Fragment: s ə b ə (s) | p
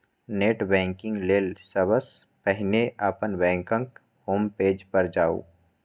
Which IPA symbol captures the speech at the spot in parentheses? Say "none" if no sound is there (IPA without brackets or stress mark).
s